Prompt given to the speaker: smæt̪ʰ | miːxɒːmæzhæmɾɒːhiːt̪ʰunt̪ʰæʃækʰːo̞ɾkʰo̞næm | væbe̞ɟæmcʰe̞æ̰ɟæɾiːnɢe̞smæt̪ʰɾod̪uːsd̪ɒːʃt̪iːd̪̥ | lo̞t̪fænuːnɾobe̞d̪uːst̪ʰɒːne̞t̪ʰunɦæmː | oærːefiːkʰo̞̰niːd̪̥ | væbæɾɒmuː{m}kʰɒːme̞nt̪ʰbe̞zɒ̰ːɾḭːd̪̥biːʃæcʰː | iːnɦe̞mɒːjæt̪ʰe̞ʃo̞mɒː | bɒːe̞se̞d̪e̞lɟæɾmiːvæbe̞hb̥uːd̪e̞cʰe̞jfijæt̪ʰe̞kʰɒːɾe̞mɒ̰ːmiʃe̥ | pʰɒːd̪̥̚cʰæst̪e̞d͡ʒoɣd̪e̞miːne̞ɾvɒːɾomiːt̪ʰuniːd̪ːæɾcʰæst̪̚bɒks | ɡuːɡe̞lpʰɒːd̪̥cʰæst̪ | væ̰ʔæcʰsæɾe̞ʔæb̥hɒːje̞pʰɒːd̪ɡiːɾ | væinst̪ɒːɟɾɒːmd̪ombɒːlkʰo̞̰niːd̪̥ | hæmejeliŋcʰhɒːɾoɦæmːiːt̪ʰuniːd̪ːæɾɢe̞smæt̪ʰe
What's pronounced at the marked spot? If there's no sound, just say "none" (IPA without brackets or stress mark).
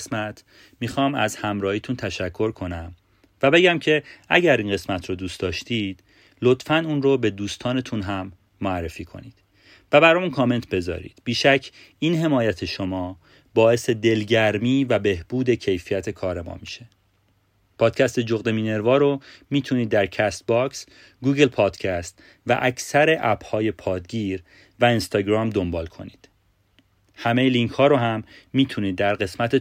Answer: n